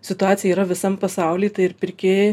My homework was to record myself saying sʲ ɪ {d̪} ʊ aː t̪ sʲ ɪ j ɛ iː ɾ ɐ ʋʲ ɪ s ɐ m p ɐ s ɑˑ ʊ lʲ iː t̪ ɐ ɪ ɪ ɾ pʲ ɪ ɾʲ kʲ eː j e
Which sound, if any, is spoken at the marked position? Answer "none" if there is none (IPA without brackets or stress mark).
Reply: t̪